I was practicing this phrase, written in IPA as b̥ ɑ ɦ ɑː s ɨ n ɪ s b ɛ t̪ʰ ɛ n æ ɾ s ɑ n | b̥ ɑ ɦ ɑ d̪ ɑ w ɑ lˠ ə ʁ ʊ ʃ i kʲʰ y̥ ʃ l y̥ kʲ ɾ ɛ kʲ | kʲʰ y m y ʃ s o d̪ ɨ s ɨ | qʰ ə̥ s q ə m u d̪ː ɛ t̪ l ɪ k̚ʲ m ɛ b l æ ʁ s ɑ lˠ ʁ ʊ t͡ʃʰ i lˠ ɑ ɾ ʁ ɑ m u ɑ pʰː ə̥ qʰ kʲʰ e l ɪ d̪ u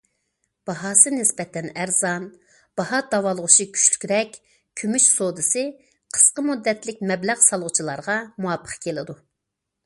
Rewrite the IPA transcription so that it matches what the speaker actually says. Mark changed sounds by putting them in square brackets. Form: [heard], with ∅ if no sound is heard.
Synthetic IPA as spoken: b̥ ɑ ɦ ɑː s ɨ n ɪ s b ɛ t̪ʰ ɛ n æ ɾ [z] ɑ n | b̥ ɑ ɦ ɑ d̪ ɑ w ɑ lˠ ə ʁ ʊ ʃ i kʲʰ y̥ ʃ l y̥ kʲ ɾ ɛ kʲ | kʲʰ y m y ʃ s o d̪ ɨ s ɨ | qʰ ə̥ s q ə m u d̪ː ɛ t̪ l ɪ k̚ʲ m ɛ b l æ ʁ s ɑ lˠ ʁ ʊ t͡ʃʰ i lˠ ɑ ɾ ʁ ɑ m u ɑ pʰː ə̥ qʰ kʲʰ e l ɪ d̪ u